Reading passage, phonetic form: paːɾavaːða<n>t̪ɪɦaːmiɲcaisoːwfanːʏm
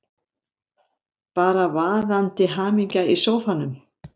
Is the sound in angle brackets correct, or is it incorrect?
correct